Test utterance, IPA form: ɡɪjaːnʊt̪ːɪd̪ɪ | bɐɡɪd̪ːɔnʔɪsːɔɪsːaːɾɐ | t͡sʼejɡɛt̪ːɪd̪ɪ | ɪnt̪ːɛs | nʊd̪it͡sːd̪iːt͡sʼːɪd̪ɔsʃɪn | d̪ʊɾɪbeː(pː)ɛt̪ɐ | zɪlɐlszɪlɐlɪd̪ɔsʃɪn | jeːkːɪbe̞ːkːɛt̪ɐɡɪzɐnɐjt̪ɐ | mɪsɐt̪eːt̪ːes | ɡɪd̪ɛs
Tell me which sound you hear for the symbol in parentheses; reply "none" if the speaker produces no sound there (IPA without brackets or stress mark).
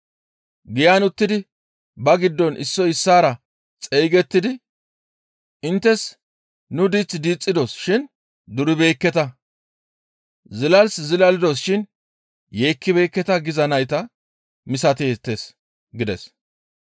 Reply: kː